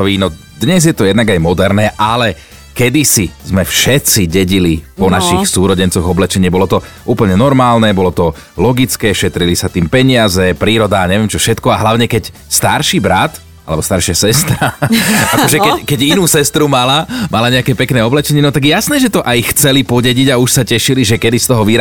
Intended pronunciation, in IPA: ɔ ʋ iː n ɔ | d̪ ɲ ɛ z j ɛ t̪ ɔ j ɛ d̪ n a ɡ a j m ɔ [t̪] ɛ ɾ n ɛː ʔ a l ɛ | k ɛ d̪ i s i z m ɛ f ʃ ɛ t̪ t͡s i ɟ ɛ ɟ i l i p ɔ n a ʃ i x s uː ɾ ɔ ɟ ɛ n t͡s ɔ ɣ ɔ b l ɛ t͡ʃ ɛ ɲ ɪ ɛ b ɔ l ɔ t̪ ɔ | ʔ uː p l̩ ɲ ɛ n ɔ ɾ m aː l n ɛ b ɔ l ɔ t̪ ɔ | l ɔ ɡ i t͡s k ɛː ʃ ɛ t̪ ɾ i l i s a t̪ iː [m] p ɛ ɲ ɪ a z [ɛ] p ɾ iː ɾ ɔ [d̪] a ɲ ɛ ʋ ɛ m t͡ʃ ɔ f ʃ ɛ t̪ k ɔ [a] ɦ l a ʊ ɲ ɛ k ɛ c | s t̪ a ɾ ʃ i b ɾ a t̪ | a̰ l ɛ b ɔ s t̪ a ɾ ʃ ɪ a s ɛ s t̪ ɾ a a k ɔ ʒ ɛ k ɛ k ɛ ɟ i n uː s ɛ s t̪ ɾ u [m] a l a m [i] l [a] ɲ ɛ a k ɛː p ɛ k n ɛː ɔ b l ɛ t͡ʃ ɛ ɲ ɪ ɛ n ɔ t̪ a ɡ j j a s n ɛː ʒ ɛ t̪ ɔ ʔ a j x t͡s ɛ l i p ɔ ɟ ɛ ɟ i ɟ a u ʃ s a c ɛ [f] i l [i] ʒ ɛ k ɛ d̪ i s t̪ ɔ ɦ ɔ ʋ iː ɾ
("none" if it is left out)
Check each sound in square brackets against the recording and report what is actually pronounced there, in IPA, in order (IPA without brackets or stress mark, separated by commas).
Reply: d̪, m, ɛ, d̪, a, m, a, a, ʃ, i